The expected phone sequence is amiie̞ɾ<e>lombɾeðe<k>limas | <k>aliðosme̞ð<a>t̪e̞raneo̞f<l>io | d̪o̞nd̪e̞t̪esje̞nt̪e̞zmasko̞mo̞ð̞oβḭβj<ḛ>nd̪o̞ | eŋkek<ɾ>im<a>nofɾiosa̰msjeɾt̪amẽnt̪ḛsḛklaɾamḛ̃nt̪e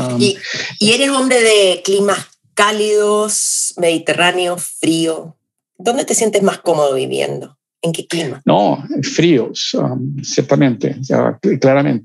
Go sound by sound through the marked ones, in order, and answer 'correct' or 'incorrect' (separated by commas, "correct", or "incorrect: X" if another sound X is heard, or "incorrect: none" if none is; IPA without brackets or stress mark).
correct, correct, correct, incorrect: i, incorrect: ɾ, correct, incorrect: l, correct